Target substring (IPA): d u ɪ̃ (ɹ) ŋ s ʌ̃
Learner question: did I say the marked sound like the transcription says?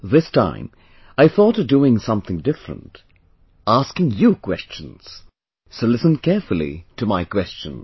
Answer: no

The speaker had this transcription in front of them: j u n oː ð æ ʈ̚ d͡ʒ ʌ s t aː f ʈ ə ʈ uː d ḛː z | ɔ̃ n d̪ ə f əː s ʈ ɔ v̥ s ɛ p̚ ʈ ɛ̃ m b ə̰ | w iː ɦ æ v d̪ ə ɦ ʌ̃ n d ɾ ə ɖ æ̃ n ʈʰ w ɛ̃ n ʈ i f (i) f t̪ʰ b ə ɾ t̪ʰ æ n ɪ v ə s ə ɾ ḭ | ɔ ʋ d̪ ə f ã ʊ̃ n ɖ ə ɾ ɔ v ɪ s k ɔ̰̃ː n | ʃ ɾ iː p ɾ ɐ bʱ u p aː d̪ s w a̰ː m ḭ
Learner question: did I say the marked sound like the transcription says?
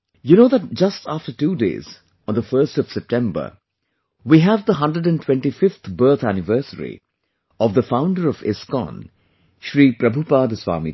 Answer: no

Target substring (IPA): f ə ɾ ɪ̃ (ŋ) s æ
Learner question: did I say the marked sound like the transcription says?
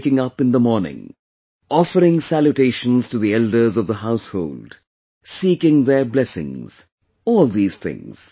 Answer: yes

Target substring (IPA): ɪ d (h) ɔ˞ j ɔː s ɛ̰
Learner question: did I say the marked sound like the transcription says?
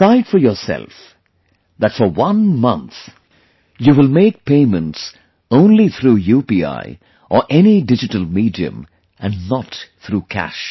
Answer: no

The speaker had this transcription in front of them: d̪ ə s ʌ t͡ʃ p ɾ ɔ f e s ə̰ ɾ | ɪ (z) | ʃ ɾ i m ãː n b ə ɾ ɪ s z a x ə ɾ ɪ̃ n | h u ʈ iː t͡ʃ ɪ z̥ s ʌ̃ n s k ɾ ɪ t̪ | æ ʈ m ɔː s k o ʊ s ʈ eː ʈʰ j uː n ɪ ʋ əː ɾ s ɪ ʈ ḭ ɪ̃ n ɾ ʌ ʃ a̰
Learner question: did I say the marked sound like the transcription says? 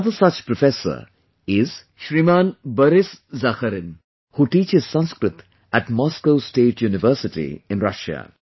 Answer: yes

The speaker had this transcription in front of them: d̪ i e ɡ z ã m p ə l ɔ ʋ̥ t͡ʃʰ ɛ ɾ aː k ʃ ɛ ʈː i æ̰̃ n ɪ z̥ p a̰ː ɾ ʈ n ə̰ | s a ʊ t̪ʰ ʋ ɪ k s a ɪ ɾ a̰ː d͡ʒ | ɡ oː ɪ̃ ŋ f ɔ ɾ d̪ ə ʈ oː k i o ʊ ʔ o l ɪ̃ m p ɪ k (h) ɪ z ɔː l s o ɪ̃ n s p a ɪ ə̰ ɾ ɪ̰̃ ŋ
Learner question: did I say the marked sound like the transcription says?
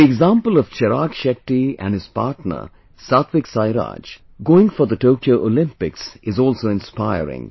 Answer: no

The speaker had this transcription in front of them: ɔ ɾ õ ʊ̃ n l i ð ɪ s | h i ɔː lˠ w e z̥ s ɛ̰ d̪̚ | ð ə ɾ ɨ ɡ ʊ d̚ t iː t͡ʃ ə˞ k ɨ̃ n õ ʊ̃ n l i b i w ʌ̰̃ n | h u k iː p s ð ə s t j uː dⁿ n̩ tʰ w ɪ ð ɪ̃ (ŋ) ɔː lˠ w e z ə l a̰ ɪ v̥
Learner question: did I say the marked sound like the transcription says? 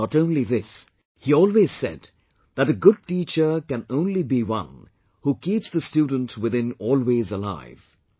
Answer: no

